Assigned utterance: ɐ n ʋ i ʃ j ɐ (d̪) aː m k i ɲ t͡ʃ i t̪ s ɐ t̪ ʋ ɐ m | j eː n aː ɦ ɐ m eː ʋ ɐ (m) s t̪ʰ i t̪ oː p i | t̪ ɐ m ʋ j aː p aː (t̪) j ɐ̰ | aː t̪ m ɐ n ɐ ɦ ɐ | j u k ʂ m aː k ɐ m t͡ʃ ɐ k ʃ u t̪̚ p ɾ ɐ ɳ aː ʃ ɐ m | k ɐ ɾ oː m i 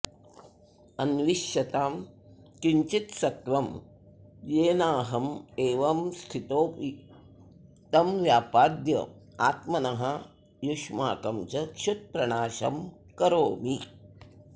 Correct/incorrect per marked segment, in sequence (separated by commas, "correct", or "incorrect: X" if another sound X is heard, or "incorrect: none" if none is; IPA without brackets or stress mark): incorrect: t̪, correct, incorrect: d̪